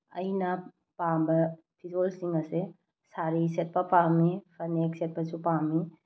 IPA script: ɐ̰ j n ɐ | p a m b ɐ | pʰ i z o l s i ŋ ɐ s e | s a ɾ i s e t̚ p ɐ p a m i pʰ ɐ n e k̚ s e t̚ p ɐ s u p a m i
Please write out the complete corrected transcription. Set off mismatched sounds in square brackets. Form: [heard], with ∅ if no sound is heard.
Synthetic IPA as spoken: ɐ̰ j n ɐ | p a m b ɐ | pʰ i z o l s i ŋ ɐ s e | s a ɾ i s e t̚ p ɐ p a m i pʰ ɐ n e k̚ s e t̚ p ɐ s u p a m i

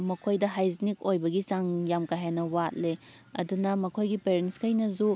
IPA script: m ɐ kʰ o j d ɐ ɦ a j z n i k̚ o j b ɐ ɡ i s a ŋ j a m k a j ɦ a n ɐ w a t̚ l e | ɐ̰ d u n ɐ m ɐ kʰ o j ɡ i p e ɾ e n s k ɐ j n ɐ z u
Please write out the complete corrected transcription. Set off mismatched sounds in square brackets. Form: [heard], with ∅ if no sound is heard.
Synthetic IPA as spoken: m ɐ kʰ o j d ɐ ɦ a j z n i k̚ o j b ɐ ɡ i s a ŋ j a m k a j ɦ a n ɐ w a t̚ l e | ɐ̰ d u n ɐ m ɐ kʰ o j ɡ i p e ɾ e n s k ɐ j n ɐ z u

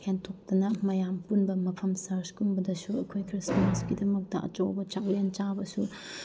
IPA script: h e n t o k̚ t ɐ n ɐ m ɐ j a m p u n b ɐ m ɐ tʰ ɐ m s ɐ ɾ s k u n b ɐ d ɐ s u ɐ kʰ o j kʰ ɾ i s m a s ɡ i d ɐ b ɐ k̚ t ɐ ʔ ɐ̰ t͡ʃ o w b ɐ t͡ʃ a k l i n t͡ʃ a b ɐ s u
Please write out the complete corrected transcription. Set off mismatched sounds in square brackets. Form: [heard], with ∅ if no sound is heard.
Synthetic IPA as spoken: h e n [tʰ] o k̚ t ɐ n ɐ m ɐ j a m p u n b ɐ m ɐ [pʰ] ɐ m s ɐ ɾ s k u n b ɐ d ɐ s u ɐ kʰ o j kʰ ɾ i s m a s ɡ i d ɐ [m] ɐ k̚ t ɐ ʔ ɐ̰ t͡ʃ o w b ɐ t͡ʃ a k l [e] n t͡ʃ a b ɐ s u

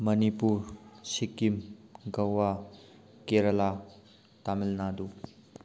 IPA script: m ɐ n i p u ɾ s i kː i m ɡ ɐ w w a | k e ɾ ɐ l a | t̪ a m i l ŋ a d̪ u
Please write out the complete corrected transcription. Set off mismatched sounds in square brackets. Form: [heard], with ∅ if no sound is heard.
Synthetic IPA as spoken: m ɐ n i p u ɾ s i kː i m ɡ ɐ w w a | k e ɾ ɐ l a | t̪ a m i l [n] a d̪ u

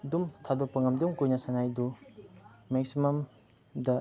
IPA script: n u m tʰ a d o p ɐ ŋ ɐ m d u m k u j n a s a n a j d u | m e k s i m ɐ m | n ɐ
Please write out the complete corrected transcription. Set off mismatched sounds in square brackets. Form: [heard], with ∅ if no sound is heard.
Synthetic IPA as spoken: [d] u m tʰ a d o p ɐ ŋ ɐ m d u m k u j n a s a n a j d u | m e k s i m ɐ m | [d] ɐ

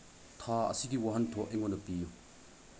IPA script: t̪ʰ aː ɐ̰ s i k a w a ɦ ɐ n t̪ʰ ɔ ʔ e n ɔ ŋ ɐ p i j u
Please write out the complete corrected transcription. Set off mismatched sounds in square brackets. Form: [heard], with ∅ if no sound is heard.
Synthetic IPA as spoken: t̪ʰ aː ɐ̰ s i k [i] w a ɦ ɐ n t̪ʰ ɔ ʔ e [ŋ] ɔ [n] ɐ p i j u

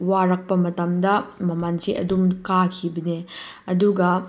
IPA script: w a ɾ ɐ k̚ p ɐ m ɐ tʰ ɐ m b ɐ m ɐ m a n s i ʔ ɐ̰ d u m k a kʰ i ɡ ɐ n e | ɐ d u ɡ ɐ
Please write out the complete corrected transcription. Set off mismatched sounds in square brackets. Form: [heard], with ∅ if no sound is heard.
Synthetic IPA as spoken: w a ɾ ɐ k̚ p ɐ m ɐ [t] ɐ m [d] ɐ m ɐ m a n s i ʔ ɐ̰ d u m k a kʰ i [b] ɐ n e | ɐ d u ɡ ɐ

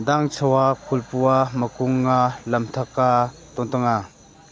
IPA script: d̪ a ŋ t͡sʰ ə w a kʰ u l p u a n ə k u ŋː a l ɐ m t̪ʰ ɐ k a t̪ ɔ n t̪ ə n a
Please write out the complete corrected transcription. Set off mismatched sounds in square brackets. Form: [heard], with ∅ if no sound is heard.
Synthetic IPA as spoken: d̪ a ŋ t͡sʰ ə w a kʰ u l p u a [m] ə k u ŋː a l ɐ m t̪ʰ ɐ k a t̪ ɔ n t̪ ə [ŋ] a

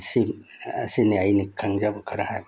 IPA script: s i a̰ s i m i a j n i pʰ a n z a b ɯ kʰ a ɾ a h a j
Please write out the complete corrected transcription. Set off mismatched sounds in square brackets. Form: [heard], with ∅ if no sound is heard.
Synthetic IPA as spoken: s i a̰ s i [n] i a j n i [kʰ] a [ŋ] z a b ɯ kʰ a ɾ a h a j

